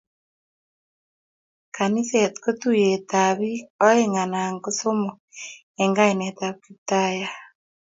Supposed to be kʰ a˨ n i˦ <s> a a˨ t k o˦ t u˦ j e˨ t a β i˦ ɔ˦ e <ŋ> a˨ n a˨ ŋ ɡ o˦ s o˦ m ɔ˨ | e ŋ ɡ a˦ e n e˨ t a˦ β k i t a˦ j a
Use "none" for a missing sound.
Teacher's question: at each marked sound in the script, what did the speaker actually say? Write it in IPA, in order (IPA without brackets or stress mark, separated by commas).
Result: s, ŋ